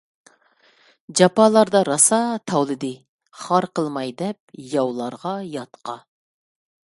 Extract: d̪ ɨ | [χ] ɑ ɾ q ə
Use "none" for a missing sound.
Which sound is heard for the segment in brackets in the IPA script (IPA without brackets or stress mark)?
χ